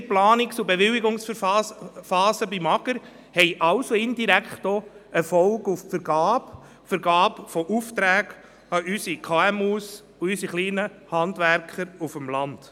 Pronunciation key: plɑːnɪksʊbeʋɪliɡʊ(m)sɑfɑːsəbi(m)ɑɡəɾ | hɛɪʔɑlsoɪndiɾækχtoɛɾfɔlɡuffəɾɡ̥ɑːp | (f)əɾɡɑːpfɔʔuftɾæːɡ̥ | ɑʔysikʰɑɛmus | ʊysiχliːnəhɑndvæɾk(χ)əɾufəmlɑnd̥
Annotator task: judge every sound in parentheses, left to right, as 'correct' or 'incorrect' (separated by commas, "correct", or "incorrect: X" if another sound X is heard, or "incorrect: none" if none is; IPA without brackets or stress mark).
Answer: incorrect: ŋ, correct, correct, correct